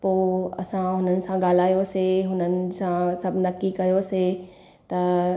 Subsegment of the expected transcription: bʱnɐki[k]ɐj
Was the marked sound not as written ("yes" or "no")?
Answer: no